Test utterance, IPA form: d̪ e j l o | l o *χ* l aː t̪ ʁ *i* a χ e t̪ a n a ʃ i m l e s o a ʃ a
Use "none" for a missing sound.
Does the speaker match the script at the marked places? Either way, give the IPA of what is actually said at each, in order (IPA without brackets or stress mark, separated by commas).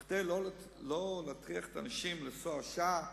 none, i